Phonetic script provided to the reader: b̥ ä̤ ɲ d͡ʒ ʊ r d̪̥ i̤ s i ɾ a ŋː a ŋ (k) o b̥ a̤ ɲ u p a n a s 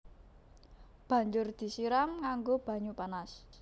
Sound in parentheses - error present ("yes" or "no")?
yes